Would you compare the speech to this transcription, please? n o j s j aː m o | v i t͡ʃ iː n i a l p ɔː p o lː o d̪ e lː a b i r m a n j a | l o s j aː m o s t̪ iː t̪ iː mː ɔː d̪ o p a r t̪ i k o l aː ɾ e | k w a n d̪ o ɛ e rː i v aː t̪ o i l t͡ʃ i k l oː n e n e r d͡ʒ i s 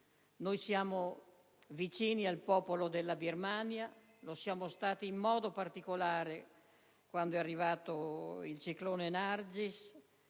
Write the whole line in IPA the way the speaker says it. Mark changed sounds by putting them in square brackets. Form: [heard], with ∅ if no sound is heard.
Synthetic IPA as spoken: n o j s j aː m o | v i t͡ʃ iː n i a l p ɔː p o [l] o d̪ e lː a b i r m a n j a | l o s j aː m o s t̪ [aː] t̪ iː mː ɔː d̪ o p a r t̪ i k o l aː ɾ e | k w a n d̪ o ɛ [a] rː i v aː t̪ o i l t͡ʃ i k l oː n e n [a] r d͡ʒ i s